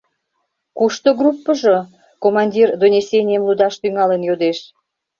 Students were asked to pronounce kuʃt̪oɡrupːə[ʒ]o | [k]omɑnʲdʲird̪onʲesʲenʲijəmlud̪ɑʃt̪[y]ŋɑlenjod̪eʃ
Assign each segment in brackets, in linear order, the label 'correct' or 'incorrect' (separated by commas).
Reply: correct, correct, correct